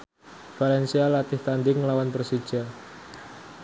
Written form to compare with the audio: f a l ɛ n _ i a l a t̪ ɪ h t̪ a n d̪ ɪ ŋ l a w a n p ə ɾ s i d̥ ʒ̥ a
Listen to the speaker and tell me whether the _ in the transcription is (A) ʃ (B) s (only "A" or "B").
B